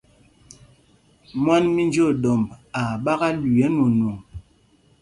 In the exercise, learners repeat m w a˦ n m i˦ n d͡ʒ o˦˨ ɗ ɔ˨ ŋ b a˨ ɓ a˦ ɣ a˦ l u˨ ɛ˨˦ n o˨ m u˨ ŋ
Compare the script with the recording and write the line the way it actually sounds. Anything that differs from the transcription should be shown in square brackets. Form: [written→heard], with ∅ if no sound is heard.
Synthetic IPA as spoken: m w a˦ n m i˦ n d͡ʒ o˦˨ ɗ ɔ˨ [ŋ→m] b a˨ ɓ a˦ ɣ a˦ l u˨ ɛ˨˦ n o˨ [m→n] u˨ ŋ